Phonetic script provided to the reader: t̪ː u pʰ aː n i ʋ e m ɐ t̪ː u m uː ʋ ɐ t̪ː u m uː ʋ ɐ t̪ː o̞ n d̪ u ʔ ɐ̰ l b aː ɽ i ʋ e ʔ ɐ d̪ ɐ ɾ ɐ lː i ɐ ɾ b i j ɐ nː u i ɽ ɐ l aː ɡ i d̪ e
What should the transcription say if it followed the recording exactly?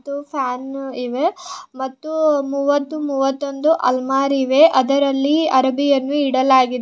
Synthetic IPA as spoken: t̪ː u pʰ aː n i ʋ e m ɐ t̪ː u m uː ʋ ɐ t̪ː u m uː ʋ ɐ t̪ː o̞ n d̪ u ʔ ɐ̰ l m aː ɾ i ʋ e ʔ ɐ d̪ ɐ ɾ ɐ lː i ɐ ɾ b i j ɐ nː u i ɽ ɐ l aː ɡ i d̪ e